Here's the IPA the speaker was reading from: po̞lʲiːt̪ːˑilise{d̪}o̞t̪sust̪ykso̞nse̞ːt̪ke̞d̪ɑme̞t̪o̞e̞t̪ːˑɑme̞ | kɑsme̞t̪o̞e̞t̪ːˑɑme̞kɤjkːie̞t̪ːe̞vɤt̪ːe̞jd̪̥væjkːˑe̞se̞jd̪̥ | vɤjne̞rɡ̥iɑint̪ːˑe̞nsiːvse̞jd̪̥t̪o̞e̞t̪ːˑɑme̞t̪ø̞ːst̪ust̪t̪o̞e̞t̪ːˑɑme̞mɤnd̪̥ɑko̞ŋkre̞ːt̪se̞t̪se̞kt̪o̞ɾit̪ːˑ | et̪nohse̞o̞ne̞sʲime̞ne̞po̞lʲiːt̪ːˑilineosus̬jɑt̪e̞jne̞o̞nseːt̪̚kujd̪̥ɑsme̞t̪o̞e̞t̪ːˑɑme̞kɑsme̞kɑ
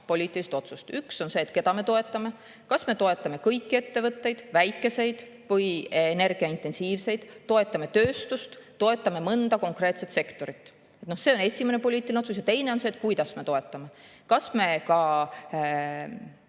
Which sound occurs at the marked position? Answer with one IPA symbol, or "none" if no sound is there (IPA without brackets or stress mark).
t̪